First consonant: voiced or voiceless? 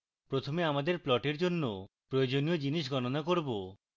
voiceless